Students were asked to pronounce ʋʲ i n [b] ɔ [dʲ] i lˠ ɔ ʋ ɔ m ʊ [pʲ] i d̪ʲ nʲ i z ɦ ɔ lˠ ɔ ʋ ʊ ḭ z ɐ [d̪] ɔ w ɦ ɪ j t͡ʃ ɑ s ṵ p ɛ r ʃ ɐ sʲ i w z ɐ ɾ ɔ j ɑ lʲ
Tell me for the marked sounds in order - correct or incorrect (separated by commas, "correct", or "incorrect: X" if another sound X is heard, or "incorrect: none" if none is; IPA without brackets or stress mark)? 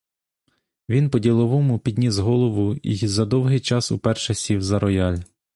incorrect: p, correct, correct, correct